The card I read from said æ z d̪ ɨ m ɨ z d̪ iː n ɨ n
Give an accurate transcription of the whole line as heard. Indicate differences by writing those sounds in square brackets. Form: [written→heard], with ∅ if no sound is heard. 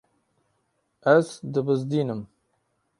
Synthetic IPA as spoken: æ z d̪ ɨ [m→b] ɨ z d̪ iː n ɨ [n→m]